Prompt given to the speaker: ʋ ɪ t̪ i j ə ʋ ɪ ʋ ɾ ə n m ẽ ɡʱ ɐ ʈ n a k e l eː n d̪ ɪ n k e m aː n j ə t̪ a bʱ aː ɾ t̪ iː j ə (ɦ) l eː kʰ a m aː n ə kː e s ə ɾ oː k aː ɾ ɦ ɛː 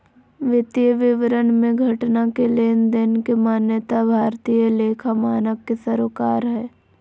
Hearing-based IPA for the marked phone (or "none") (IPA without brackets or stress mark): none